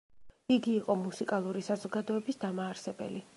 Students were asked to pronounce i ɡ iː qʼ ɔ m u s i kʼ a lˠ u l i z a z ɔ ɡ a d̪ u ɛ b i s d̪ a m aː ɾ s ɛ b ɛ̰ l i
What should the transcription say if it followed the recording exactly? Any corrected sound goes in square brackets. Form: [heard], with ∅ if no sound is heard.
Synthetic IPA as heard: i ɡ iː qʼ ɔ m u s i kʼ a lˠ u [ɾ] i [s] a z ɔ ɡ a d̪ [ɔ] ɛ b i s d̪ a m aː ɾ s ɛ b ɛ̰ l i